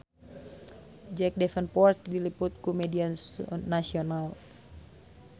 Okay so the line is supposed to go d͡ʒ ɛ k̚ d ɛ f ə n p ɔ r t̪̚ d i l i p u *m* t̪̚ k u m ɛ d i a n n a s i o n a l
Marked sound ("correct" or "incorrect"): incorrect